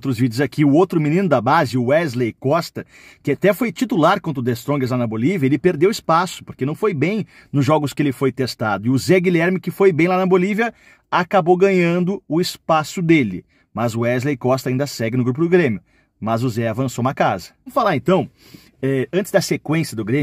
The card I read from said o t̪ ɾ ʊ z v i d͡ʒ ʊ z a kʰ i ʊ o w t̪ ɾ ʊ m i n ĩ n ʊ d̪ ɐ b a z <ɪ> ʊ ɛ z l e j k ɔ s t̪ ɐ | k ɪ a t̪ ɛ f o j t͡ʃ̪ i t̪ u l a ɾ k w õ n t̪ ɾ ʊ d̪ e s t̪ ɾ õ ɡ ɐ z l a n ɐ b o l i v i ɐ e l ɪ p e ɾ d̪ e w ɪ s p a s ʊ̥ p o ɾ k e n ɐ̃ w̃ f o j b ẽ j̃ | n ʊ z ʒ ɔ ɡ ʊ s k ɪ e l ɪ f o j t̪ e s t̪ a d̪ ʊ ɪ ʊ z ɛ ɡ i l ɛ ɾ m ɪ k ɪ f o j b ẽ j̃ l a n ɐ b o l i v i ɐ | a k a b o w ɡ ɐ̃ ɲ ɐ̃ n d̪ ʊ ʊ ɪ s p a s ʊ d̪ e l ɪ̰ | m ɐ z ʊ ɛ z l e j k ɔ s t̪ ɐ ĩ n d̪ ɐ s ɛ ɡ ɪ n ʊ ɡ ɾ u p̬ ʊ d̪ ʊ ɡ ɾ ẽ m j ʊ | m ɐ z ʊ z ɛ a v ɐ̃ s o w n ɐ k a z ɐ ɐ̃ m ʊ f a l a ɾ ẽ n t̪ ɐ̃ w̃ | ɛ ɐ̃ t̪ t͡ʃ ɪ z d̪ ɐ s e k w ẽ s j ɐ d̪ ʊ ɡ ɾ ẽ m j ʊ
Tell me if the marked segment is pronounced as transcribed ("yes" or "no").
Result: yes